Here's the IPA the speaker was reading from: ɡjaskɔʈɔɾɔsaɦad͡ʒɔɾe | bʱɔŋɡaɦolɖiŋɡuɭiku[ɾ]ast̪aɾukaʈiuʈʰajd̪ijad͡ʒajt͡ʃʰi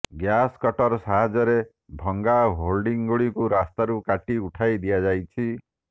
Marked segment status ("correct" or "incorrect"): correct